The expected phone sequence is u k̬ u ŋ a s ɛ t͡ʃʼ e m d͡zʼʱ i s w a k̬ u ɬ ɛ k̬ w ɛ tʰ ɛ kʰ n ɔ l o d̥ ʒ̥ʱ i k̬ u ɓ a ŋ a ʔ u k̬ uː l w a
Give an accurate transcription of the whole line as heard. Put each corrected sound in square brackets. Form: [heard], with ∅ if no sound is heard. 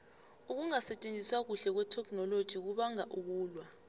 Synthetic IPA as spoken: u k̬ u ŋ a s ɛ t͡ʃʼ e [n] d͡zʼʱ i s w a k̬ u ɬ ɛ k̬ w ɛ tʰ ɛ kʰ n ɔ l o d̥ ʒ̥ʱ i k̬ u ɓ a ŋ a ʔ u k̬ uː l w a